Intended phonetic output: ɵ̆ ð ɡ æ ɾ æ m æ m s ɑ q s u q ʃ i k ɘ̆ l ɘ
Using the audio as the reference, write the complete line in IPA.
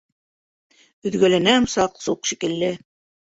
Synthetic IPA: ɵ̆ ð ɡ æ l æ n æ m s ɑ q s u q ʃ i k ɘ̆ lː ɘ